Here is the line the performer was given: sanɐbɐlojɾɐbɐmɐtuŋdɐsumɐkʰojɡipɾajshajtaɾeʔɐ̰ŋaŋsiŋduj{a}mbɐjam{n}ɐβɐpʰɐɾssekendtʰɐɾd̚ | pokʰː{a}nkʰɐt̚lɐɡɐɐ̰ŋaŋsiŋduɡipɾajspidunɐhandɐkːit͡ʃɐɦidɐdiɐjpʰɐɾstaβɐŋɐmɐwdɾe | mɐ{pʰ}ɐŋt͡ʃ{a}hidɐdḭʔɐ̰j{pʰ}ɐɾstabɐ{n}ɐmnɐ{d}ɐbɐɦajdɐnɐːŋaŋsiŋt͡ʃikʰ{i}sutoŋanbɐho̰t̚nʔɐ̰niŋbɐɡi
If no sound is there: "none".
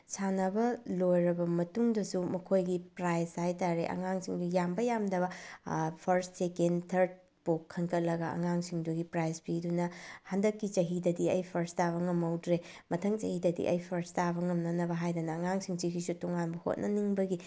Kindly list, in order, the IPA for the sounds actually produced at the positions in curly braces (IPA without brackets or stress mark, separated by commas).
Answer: a, d, ɐ, tʰ, ɐ, pʰ, ŋ, n, i